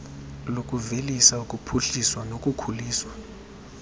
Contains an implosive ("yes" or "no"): no